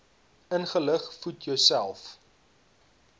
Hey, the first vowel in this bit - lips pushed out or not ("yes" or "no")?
no